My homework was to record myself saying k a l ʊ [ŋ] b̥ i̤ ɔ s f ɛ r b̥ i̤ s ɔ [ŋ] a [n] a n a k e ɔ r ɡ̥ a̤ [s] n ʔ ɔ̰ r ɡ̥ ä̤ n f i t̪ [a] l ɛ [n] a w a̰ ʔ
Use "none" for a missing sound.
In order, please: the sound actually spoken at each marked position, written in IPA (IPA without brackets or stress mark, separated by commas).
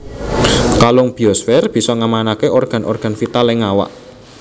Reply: ŋ, ŋ, m, none, a, ŋ